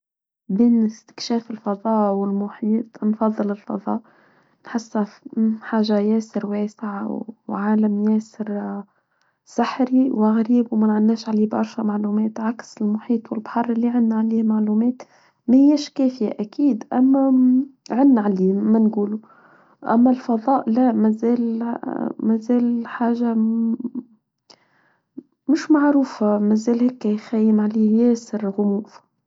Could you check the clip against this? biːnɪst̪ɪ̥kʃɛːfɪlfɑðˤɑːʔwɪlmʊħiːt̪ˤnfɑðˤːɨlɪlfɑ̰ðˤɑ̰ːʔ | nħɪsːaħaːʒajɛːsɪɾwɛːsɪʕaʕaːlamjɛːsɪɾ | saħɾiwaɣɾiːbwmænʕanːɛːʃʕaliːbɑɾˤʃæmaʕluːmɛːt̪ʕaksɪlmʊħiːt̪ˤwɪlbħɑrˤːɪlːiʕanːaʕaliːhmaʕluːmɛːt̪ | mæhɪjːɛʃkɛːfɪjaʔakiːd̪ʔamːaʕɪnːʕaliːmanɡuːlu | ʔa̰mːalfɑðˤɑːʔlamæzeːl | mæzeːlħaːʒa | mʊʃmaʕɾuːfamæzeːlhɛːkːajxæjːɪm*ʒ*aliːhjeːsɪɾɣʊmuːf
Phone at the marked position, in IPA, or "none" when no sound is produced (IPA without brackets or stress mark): ʕ